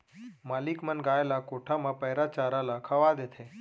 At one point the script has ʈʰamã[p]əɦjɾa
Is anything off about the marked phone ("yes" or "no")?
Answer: no